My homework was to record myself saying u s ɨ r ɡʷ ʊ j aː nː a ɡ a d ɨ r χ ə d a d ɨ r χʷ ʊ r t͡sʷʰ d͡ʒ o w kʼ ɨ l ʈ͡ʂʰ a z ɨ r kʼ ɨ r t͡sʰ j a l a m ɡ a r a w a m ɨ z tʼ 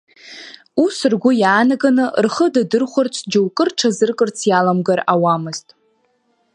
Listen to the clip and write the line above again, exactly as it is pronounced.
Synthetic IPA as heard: u s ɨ r ɡʷ ʊ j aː n a ɡ a n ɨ r χ ə d a d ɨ r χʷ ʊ r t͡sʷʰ d͡ʒ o w kʼ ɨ r ʈ͡ʂʰ a z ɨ r kʼ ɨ r t͡sʰ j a l a m ɡ a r a w a m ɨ z tʼ